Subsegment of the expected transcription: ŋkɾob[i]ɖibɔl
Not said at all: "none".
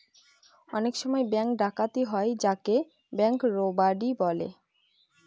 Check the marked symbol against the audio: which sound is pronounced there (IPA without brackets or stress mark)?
a